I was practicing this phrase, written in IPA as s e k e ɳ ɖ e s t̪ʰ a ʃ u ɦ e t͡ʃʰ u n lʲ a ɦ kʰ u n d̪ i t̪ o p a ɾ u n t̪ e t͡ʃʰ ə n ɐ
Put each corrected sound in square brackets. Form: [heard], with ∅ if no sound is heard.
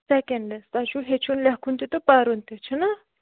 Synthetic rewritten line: s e k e ɳ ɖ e s [t̪] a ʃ u ɦ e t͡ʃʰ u n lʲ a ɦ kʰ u n [t̪] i t̪ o p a ɾ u n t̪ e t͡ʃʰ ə n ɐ